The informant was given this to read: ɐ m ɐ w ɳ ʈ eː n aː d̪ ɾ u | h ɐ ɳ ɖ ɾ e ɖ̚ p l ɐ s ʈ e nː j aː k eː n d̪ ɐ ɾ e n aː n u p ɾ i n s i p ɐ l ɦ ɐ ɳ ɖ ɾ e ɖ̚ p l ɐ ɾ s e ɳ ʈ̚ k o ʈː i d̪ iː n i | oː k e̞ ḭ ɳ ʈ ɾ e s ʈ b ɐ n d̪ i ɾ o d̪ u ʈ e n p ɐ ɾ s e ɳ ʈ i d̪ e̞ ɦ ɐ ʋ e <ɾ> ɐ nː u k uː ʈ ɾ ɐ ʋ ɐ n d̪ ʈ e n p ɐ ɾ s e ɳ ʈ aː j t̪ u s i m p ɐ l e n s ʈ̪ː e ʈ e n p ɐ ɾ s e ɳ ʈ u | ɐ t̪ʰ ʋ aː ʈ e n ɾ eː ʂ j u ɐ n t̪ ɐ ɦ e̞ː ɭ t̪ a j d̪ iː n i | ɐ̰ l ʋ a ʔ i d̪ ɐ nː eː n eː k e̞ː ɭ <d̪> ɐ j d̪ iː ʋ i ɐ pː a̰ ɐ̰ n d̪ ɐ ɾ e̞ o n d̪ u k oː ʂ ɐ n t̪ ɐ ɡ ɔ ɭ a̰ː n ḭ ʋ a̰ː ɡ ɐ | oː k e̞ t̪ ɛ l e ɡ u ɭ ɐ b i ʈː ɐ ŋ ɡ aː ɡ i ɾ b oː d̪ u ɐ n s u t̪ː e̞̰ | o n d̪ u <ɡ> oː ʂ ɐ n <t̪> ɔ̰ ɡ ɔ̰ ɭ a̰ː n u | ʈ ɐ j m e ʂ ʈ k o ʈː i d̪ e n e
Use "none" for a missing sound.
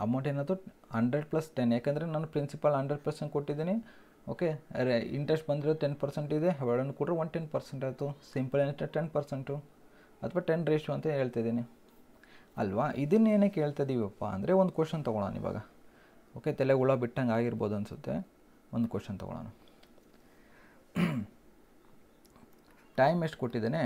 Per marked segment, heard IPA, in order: ɭ, t̪, k, t̪

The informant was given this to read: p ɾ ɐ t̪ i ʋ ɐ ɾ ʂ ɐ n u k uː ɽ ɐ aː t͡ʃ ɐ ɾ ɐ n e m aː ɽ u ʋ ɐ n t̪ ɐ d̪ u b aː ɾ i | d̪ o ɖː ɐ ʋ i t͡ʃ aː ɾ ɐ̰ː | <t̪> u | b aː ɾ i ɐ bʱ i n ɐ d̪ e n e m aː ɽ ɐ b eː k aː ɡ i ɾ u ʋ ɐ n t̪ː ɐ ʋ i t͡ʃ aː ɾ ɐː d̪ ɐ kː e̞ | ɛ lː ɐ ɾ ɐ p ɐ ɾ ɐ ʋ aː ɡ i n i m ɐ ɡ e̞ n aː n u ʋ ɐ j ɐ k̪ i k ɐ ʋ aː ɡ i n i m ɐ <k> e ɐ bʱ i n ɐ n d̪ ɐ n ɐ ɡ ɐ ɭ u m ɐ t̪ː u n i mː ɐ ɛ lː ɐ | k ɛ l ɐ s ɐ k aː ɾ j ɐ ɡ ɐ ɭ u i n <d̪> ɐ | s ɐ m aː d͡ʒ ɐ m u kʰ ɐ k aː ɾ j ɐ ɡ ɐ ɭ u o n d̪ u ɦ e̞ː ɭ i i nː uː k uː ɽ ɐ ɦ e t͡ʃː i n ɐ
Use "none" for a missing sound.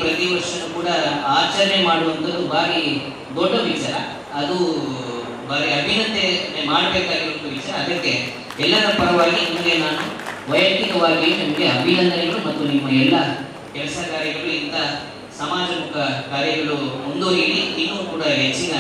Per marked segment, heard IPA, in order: d̪, ɡ, t̪

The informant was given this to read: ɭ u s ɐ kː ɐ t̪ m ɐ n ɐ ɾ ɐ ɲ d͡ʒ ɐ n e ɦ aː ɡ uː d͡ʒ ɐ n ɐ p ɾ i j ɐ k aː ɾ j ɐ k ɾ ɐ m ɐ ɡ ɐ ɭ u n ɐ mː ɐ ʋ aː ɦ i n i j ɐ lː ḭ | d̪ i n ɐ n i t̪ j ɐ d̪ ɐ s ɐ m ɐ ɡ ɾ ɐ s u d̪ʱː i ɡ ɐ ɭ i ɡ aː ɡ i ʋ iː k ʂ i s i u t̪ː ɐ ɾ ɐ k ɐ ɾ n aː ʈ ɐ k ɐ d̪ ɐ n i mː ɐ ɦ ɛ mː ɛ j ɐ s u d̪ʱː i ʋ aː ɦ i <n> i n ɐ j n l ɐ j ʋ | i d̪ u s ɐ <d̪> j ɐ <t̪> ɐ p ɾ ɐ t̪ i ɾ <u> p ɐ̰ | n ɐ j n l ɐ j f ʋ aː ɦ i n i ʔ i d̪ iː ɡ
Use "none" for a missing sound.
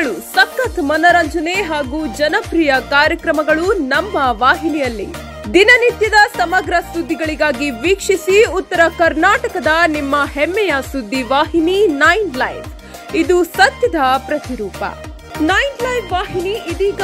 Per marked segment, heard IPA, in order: n, t̪, d̪, uː

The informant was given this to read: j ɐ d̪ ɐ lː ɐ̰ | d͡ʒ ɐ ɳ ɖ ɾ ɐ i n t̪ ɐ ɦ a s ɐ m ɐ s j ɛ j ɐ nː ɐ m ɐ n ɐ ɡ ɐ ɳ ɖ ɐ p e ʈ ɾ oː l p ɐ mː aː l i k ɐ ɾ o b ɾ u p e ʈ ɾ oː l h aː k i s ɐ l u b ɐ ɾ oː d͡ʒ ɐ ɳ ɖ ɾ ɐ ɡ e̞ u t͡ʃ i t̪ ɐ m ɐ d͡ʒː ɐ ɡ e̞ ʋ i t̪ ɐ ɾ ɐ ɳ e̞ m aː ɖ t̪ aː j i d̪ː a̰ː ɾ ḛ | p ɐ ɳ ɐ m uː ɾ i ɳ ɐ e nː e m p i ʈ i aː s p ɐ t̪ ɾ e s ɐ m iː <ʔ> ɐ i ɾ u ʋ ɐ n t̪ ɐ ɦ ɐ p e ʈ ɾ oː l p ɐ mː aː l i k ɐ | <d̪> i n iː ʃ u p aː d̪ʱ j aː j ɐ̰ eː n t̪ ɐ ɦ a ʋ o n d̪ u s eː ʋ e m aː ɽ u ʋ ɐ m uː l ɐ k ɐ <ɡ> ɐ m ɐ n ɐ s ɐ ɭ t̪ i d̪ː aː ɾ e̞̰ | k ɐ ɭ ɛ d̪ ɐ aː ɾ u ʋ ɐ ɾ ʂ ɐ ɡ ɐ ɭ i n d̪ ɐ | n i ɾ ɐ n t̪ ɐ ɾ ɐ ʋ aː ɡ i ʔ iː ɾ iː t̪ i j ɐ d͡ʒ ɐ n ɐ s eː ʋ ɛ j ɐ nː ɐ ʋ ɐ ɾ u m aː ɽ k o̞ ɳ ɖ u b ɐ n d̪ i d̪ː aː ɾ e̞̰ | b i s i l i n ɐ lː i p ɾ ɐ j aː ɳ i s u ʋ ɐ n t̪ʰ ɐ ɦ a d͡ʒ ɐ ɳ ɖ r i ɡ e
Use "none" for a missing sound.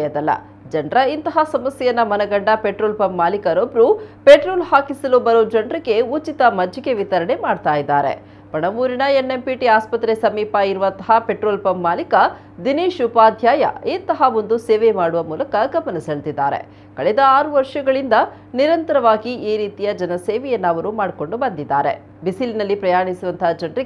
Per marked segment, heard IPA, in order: p, d̪, ɡ

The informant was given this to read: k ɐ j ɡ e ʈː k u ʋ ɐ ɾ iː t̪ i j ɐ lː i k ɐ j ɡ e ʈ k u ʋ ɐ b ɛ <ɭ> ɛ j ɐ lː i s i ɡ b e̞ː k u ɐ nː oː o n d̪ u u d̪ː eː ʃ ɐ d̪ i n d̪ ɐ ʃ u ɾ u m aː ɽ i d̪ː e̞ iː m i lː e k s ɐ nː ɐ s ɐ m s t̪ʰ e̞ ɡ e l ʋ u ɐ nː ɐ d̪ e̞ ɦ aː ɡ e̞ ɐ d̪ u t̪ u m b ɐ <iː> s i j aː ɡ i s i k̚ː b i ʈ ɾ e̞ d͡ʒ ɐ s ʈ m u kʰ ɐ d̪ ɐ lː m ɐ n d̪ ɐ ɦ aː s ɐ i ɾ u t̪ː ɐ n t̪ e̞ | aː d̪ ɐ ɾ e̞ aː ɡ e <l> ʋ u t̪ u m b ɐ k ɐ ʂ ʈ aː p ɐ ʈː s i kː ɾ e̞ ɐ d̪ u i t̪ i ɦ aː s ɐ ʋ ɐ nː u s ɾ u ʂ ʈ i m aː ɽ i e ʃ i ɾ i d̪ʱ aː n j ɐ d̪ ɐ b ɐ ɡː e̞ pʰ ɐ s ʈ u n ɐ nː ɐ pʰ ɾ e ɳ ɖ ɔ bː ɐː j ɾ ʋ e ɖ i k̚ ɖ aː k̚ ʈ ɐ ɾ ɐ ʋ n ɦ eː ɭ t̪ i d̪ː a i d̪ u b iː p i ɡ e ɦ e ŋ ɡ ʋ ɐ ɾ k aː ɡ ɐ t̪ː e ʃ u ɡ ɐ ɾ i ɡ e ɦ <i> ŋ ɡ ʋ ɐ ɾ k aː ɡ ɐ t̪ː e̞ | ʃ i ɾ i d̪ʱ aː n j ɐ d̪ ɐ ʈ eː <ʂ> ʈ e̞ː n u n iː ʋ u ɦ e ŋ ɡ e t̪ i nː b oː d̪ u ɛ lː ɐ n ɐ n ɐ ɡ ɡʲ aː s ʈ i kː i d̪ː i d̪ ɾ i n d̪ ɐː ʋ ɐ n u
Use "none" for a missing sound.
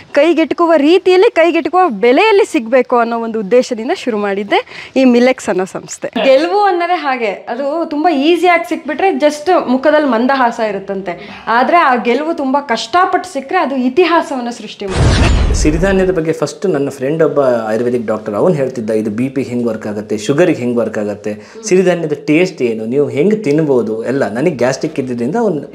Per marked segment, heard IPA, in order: l, iː, l, e, s

